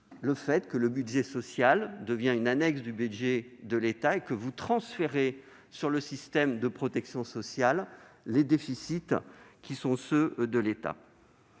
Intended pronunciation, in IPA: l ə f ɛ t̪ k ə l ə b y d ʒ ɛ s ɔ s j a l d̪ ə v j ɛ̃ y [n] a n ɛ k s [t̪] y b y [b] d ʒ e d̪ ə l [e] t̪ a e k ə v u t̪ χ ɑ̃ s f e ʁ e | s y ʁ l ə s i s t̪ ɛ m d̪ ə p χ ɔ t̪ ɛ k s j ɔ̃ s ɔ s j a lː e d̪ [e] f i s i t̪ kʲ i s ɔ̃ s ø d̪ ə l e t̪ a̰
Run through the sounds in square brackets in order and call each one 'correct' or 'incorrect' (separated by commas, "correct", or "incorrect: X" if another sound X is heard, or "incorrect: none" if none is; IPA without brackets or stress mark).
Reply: correct, incorrect: d̪, incorrect: none, correct, correct